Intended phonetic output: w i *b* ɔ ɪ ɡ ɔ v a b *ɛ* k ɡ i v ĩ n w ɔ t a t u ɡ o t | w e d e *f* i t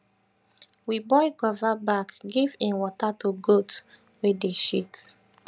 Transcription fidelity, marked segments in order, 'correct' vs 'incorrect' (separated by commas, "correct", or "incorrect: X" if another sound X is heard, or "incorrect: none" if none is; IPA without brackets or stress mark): correct, incorrect: a, incorrect: ʃ